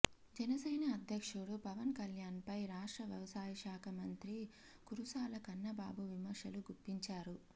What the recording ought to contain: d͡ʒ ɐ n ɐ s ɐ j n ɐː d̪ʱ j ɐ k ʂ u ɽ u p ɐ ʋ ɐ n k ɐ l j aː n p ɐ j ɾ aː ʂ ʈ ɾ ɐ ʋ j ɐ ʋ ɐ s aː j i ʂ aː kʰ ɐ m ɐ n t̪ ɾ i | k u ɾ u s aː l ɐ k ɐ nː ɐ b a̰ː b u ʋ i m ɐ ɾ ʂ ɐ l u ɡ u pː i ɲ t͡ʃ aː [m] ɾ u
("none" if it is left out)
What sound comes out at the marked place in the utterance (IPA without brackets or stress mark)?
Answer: none